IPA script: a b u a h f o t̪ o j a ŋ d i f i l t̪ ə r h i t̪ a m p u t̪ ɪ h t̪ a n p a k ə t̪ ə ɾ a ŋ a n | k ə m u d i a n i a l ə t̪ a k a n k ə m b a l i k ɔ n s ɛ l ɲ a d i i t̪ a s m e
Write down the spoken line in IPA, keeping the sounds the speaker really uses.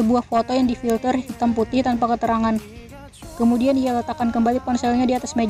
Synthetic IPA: ə b u a h f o t̪ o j a ŋ d i f i l t̪ ə r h i t̪ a m p u t̪ ɪ h t̪ a n p a k ə t̪ ə ɾ a ŋ a n | k ə m u d i a n i a l ə t̪ a k a n k ə m b a l i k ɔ n s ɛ l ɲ a d i a t̪ a s m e